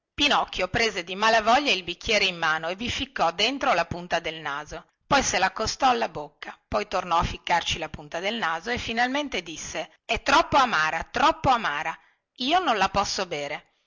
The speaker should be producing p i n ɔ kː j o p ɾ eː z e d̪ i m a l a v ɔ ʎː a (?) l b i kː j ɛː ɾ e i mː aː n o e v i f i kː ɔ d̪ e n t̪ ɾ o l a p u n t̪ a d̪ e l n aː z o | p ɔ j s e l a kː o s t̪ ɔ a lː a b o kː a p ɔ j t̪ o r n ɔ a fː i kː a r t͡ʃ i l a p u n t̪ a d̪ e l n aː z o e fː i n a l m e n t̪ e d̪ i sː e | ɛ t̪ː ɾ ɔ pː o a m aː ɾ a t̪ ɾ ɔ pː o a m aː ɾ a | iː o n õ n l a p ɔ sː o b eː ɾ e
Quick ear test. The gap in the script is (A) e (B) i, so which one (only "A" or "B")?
B